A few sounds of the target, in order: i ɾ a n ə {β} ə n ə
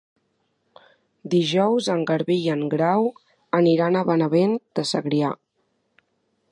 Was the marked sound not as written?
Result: no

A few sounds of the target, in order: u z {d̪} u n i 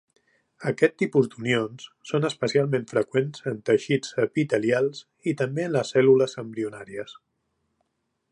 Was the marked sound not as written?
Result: no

